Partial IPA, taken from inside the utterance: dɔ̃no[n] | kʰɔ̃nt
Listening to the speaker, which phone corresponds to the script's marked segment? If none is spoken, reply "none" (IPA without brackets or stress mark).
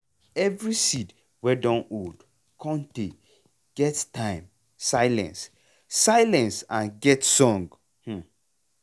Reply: d